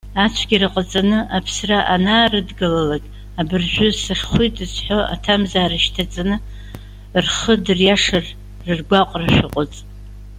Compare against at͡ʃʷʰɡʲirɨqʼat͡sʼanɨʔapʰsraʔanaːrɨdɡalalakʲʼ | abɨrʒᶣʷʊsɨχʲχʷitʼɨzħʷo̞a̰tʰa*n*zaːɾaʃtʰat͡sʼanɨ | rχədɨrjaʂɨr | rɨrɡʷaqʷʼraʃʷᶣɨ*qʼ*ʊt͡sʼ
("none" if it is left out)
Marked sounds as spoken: m, qʼ

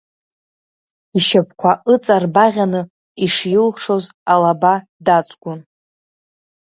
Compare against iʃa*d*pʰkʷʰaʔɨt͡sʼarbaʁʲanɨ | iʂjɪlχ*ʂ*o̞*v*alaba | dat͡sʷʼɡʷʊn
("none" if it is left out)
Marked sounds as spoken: none, ʂ, z

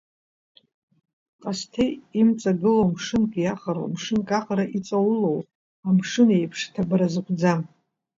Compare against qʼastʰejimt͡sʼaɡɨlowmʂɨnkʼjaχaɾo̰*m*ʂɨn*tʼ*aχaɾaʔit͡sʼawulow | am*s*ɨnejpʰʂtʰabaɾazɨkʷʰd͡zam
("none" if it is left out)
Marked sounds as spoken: m, kʼ, ʂ

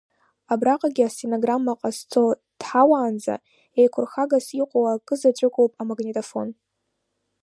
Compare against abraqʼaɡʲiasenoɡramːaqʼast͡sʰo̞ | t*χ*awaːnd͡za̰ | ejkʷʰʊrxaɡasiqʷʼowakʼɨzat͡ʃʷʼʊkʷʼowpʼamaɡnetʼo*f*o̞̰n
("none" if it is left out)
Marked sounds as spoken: ħ, f

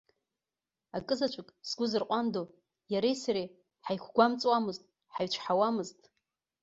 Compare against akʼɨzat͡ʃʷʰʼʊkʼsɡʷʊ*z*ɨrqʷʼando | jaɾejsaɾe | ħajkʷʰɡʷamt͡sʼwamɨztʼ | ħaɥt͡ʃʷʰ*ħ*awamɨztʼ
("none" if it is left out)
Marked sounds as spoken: z, ħ

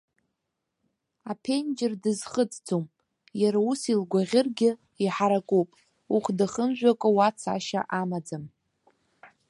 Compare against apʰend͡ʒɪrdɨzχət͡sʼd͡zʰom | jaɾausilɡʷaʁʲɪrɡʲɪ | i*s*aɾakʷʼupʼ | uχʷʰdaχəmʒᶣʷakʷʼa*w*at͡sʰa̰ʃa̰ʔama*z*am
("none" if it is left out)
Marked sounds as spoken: ħ, w, d͡z

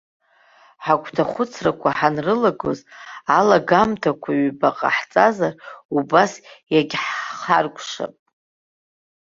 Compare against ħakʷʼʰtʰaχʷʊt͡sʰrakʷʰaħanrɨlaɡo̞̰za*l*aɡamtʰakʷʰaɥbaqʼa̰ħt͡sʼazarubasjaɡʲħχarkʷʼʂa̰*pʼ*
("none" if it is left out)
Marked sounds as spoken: l, pʼ

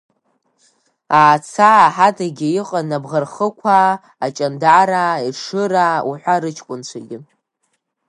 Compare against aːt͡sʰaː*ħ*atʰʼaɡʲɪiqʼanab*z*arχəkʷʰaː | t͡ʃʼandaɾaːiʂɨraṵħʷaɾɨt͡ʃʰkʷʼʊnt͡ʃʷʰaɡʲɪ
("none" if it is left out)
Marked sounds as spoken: ħ, ʁ

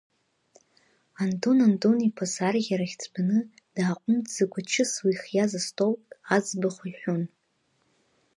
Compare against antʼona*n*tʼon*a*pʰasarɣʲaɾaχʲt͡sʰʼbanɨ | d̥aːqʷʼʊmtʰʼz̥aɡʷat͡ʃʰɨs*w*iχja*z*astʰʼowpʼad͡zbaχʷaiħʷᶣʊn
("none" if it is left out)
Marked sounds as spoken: n, i, w, z

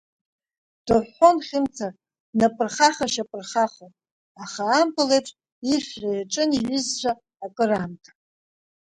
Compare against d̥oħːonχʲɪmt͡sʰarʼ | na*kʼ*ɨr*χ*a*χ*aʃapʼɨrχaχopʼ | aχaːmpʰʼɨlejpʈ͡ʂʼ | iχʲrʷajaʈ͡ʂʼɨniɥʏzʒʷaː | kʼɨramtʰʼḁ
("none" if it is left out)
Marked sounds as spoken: pʼ, χ, χ

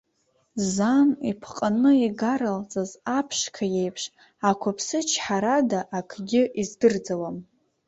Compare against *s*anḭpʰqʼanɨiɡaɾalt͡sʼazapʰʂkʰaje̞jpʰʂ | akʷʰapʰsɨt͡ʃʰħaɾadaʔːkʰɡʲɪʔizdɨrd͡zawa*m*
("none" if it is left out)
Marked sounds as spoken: z, m

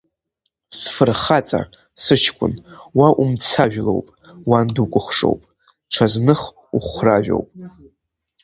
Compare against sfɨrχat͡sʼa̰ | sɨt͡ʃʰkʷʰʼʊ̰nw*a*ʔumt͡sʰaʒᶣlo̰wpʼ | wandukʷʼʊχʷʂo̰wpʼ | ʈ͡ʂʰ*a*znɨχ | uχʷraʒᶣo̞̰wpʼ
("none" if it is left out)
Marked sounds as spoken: a, a

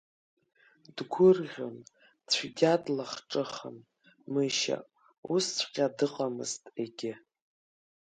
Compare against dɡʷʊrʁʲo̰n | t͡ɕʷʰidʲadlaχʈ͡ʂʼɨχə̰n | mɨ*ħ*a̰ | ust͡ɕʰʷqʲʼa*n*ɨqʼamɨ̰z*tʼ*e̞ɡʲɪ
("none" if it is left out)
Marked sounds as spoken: ʃ, d, tʼ

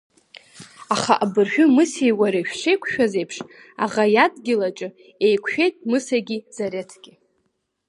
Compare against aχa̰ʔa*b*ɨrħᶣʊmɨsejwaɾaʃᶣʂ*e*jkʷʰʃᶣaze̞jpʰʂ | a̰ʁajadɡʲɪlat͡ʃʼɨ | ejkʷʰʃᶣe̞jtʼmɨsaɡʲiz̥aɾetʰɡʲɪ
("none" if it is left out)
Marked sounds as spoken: b, e

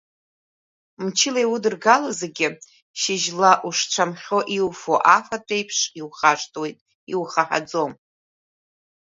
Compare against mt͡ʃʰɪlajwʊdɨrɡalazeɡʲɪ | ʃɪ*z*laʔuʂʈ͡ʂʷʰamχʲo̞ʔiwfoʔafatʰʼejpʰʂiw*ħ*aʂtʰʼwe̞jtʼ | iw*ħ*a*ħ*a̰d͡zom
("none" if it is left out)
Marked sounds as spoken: ʒ, χ, χ, ħ

